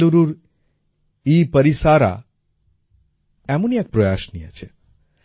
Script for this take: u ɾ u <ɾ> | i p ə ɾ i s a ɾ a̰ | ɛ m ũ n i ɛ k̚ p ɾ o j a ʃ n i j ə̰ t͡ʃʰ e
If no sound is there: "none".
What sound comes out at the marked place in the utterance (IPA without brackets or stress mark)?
ɾ